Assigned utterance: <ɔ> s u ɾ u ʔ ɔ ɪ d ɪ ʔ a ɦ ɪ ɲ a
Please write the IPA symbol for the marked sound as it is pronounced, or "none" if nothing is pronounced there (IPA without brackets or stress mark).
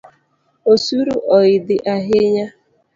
o